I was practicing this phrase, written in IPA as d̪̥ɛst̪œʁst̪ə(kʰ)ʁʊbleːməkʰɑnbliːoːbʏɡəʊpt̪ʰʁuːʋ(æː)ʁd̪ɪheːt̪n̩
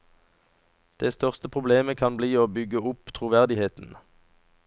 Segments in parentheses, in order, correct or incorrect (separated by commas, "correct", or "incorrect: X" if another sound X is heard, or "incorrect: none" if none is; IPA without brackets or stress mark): incorrect: pʰ, incorrect: æ